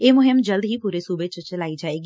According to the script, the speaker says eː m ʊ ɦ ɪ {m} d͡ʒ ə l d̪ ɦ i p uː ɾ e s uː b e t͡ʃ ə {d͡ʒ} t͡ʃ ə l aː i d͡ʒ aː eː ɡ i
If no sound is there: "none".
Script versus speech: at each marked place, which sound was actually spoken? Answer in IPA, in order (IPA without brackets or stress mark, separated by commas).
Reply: m, none